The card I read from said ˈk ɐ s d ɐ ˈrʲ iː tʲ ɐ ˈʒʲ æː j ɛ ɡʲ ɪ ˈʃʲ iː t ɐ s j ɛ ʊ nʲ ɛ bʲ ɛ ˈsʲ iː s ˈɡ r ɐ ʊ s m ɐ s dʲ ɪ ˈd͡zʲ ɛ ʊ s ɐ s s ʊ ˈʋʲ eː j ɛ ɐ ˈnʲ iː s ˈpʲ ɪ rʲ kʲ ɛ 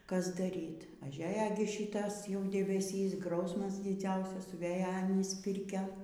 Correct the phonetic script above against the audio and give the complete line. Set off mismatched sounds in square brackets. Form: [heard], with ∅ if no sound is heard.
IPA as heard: ˈk ɐ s d ɐ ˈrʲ iː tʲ ɐ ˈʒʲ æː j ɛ ɡʲ ɪ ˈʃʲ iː t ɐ s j ɛ ʊ [dʲ] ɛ bʲ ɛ ˈsʲ iː s ˈɡ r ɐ ʊ s m ɐ s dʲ ɪ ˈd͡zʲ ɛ ʊ s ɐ s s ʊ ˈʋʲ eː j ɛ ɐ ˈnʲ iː s ˈpʲ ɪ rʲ kʲ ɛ